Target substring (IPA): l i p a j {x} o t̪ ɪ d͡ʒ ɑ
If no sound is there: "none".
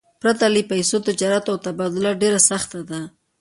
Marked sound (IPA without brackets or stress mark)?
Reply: s